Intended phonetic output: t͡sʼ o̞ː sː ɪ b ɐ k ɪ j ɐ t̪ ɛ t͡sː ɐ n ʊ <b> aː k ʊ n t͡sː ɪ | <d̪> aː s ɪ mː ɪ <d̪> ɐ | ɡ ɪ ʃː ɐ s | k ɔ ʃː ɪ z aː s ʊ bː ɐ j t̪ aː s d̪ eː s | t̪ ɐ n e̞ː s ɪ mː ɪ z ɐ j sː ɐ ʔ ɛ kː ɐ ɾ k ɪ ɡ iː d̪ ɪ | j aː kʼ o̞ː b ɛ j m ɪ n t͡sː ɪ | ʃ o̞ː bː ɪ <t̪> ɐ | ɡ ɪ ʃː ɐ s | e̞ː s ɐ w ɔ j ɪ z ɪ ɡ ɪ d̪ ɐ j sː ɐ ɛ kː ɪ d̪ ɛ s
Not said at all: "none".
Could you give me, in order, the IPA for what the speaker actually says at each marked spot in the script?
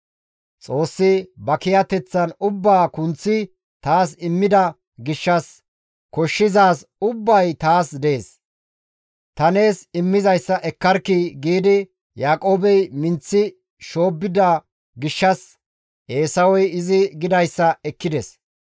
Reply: bː, t̪, d̪, d̪

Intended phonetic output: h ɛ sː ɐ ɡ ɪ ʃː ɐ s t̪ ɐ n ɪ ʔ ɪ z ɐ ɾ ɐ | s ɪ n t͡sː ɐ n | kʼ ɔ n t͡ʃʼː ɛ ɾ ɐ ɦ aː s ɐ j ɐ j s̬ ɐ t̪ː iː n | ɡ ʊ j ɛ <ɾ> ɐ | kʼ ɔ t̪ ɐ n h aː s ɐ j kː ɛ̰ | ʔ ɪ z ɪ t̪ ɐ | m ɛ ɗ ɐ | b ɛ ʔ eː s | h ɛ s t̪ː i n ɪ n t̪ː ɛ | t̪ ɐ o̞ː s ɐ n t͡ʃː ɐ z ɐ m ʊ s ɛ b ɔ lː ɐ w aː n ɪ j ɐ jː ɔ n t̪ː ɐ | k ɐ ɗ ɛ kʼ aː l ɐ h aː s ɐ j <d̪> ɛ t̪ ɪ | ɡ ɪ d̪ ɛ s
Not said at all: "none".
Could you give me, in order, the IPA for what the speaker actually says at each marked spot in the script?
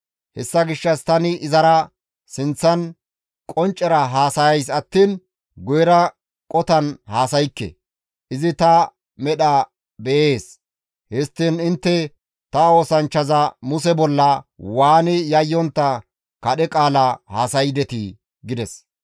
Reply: ɾ, d̪

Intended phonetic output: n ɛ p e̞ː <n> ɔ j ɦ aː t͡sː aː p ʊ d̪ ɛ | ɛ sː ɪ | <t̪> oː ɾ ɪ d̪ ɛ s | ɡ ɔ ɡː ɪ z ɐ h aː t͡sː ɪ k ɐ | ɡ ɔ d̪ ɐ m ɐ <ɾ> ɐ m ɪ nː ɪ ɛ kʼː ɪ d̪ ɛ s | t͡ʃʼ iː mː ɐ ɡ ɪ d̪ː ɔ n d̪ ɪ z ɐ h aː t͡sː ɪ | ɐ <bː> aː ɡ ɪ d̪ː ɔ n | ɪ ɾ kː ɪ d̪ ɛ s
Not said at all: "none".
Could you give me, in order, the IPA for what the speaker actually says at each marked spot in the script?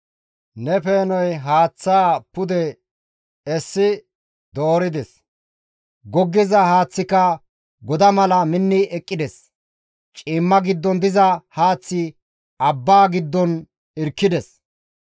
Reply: n, d̪, l, bː

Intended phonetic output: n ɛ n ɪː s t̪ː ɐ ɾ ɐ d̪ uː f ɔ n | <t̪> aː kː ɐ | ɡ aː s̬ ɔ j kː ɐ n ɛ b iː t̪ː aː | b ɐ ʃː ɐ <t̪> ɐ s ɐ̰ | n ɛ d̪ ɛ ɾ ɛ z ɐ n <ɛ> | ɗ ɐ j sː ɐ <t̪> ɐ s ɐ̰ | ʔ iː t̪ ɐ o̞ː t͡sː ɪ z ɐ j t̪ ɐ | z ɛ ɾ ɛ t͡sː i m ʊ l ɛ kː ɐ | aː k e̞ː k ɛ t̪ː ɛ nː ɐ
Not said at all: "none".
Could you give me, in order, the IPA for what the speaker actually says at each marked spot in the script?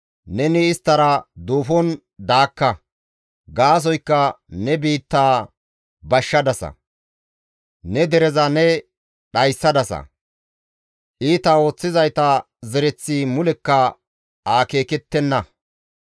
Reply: d̪, d̪, ɛ, d̪

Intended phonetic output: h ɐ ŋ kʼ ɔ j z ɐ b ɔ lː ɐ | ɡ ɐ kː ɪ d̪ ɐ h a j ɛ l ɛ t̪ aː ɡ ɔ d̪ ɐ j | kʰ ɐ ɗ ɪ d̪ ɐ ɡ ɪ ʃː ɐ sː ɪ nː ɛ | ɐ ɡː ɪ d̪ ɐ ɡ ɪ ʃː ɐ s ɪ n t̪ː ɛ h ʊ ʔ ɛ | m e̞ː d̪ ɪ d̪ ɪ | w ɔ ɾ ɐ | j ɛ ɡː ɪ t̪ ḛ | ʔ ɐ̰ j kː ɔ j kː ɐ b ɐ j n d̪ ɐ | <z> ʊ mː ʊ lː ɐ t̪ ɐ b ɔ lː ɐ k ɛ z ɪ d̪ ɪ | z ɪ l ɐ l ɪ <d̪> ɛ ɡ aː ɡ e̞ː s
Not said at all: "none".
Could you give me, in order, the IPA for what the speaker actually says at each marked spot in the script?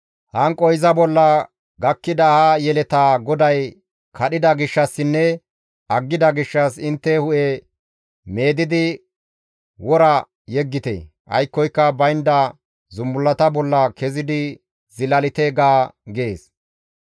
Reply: z, t̪

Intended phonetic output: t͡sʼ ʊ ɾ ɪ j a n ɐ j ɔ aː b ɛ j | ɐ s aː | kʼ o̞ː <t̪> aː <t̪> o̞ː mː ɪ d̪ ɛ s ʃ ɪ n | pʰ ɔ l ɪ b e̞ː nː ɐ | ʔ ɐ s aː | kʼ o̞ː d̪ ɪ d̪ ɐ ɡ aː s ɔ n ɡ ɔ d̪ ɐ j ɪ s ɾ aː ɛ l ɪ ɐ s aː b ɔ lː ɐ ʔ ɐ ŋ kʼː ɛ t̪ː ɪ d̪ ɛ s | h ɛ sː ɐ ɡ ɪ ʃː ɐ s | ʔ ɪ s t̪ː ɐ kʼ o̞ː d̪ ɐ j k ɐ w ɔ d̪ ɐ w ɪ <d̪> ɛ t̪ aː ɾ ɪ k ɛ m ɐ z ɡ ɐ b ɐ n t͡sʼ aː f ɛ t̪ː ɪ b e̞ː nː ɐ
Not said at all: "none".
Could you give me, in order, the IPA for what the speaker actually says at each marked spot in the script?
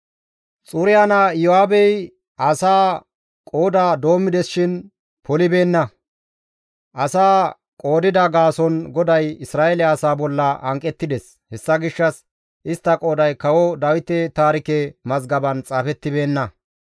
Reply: d̪, d̪, t̪

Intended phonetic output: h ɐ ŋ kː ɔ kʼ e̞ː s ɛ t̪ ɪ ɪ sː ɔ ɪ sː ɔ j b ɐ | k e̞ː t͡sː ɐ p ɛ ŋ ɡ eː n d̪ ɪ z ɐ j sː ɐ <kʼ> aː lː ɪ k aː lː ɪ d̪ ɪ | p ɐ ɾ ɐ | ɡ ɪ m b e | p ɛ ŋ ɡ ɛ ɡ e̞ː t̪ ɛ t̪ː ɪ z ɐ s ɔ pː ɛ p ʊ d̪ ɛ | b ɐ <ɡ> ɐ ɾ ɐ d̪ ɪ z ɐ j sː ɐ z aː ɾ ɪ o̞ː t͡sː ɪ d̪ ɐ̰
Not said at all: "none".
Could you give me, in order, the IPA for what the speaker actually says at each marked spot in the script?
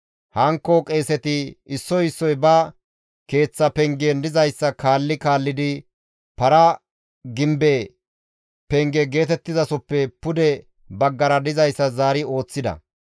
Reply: k, ɡː

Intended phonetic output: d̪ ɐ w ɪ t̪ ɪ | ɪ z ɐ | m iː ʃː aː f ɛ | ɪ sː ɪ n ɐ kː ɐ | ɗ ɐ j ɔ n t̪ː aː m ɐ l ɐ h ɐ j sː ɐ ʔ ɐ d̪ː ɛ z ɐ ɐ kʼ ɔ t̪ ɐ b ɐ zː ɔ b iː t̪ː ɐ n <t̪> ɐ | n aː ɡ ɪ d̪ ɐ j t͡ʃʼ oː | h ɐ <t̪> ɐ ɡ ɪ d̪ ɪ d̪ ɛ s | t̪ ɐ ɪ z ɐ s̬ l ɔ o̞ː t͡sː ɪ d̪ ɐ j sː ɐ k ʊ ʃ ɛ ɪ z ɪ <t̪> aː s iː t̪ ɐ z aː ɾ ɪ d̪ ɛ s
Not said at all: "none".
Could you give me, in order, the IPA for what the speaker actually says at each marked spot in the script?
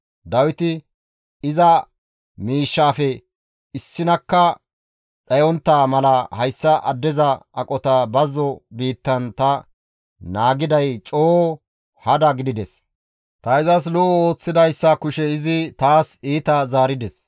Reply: t̪, d̪, t̪

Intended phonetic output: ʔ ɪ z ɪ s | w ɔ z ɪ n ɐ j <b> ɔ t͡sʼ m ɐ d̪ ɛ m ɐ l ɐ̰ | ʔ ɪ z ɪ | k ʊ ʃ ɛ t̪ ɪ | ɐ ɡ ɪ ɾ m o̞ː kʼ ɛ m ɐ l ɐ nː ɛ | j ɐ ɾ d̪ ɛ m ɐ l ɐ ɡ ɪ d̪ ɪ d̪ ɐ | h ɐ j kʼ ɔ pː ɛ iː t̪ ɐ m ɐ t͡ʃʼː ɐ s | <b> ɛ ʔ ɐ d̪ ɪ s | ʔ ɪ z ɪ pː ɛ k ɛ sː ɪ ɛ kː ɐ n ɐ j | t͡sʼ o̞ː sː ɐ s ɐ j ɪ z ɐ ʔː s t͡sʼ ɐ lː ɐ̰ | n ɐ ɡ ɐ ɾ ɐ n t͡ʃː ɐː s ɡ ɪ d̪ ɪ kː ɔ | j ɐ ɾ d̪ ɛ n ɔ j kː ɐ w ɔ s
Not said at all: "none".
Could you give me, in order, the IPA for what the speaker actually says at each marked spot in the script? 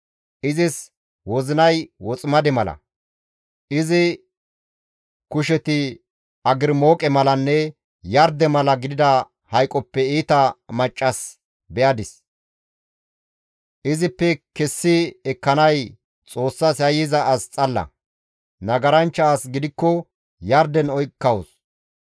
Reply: w, b

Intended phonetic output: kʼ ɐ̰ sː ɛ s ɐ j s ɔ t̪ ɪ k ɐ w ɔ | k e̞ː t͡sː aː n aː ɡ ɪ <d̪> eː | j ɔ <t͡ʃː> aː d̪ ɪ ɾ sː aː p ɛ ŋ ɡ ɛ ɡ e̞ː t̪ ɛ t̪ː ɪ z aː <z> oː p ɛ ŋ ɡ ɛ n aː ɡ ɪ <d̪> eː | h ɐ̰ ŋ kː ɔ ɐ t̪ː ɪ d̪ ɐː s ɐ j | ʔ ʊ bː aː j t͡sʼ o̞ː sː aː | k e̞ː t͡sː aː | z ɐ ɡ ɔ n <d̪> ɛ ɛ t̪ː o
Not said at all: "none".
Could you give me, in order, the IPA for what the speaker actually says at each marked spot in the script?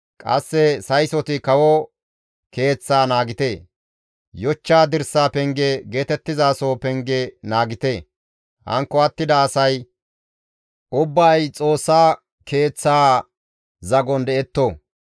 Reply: t̪, t͡ʃː, s, t̪, d̪

